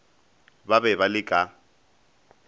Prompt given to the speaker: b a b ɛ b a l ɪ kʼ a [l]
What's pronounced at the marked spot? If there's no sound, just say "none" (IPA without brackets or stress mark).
none